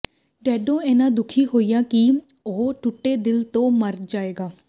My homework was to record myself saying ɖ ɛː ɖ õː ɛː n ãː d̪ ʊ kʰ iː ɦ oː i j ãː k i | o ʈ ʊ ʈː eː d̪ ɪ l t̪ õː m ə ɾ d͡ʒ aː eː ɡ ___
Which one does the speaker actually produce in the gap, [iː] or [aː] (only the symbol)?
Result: aː